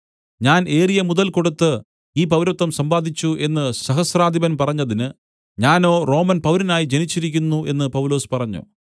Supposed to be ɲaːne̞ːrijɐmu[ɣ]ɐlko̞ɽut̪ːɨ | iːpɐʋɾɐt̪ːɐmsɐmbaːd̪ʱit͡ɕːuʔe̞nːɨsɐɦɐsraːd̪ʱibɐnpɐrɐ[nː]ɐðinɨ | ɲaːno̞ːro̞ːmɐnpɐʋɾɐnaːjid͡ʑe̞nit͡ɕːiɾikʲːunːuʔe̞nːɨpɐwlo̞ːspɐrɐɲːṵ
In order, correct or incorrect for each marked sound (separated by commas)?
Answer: incorrect, incorrect